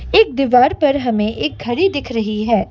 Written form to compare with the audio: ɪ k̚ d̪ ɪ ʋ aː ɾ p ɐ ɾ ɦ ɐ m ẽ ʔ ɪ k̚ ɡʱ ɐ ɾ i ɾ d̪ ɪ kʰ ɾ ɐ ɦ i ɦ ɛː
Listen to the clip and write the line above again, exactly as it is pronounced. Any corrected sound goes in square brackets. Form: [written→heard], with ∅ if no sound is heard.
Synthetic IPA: ɪ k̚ d̪ ɪ ʋ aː ɾ p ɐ ɾ ɦ ɐ m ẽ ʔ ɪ k̚ ɡʱ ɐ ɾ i [ɾ→∅] d̪ ɪ kʰ ɾ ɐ ɦ i ɦ ɛː